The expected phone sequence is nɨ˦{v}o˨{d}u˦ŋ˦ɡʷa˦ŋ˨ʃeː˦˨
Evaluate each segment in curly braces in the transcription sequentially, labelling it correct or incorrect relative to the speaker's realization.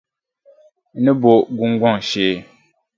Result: incorrect, incorrect

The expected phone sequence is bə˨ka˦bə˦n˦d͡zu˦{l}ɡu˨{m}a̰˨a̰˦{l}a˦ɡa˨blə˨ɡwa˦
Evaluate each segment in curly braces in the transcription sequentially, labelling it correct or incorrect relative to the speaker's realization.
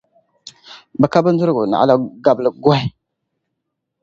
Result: incorrect, incorrect, correct

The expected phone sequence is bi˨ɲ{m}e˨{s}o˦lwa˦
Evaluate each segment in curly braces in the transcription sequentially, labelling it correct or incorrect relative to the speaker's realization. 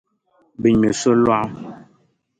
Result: correct, correct

